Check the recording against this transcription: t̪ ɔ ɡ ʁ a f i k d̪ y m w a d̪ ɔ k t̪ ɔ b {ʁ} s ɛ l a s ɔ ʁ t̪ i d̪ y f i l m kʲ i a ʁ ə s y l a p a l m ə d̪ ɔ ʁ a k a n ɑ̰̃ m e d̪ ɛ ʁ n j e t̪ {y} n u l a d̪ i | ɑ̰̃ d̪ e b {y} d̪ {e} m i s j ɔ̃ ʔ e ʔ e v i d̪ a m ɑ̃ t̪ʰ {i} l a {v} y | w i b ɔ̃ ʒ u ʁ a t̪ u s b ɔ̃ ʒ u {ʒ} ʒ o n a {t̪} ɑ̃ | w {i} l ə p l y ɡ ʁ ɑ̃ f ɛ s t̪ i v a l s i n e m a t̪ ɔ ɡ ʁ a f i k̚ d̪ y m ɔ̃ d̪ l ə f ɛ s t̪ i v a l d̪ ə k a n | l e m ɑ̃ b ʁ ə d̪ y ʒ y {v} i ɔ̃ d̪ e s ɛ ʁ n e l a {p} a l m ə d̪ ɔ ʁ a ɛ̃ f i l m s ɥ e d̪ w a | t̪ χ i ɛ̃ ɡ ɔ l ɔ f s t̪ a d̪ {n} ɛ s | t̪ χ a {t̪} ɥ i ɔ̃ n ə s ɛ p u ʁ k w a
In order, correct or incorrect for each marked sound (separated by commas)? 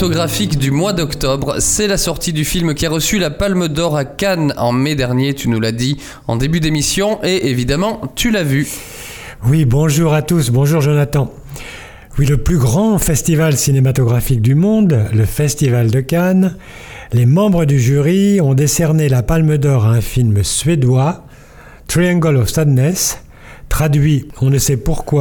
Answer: correct, correct, correct, correct, incorrect, correct, incorrect, correct, correct, incorrect, correct, correct, incorrect